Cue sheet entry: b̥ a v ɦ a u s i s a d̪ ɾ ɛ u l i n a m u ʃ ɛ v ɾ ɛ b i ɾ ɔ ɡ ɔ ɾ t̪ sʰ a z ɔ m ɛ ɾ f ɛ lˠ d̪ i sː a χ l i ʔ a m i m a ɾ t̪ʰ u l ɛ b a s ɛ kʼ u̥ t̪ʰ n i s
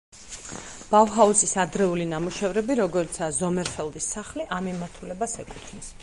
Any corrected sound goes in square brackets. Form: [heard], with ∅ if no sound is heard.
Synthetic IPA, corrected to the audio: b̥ a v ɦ a u s i s a d̪ ɾ ɛ u l i n a m u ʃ ɛ v ɾ ɛ b i ɾ ɔ ɡ ɔ ɾ t̪ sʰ a z ɔ m ɛ ɾ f ɛ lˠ d̪ i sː a χ l i ʔ a m i m a ɾ t̪ʰ u l ɛ b a s ɛ kʼ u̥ t̪ʰ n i s